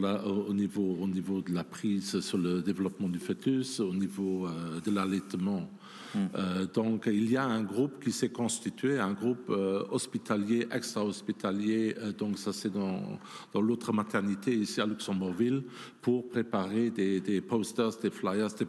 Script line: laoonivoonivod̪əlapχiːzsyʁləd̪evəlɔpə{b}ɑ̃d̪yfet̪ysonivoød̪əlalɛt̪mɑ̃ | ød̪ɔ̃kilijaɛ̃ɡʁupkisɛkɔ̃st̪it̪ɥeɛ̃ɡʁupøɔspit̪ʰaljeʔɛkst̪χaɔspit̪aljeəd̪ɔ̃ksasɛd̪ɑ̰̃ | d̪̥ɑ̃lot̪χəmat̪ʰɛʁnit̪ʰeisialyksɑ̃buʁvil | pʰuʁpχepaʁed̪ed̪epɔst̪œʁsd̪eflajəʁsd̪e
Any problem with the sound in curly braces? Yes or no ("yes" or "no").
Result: yes